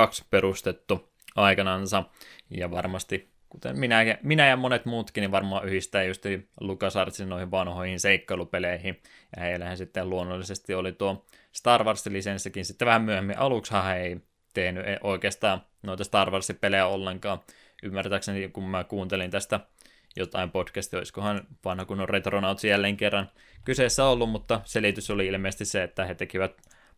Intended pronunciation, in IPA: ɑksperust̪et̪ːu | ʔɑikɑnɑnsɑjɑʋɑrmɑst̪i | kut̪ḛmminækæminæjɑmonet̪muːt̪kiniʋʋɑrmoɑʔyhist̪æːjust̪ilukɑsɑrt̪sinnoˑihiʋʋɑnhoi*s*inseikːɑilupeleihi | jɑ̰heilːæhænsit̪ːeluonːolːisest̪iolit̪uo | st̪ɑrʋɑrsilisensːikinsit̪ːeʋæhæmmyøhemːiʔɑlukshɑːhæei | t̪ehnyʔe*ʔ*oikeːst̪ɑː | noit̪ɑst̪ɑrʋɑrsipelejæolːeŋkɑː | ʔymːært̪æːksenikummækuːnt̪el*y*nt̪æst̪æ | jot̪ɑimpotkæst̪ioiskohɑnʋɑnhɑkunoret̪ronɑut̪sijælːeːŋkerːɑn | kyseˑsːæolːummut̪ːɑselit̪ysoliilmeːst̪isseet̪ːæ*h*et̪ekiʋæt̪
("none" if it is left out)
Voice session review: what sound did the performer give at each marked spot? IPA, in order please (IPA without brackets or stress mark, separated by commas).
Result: h, ʔ, i, h